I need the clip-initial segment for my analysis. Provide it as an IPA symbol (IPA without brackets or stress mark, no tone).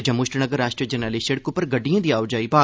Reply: d͡ʒ